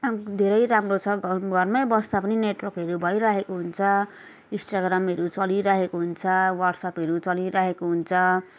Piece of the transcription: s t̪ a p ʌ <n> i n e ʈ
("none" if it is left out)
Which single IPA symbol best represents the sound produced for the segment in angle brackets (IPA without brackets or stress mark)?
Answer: n